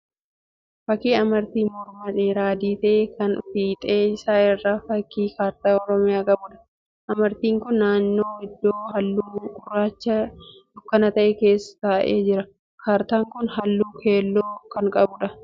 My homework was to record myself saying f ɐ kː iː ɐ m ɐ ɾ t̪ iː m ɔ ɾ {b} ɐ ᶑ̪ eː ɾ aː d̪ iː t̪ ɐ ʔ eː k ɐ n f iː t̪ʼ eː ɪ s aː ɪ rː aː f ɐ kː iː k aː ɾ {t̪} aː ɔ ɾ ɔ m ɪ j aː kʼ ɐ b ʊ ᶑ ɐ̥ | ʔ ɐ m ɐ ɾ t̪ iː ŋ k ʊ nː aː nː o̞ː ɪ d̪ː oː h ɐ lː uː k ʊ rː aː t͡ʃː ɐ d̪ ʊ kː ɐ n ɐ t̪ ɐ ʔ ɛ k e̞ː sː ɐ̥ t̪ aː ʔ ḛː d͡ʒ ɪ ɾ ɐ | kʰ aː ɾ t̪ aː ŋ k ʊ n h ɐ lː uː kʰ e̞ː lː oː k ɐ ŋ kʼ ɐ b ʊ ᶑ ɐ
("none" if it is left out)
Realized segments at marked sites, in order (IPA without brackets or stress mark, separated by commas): m, t̪